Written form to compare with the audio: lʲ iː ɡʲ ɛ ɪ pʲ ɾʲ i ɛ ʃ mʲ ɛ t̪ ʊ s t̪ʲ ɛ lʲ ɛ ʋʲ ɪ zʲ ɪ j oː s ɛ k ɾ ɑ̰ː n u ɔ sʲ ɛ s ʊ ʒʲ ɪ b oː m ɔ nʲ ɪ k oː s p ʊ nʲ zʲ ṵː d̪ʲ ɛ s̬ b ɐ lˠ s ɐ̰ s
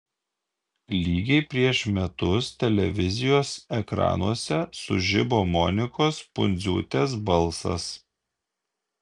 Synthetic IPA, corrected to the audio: lʲ iː ɡʲ ɛ ɪ pʲ ɾʲ i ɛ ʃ mʲ ɛ t̪ ʊ s t̪ʲ ɛ lʲ ɛ ʋʲ ɪ zʲ ɪ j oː s ɛ k ɾ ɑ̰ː n u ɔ sʲ ɛ s ʊ ʒʲ ɪ b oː m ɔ nʲ ɪ k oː s p ʊ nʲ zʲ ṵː t̪ʲ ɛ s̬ b ɐ lˠ s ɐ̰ s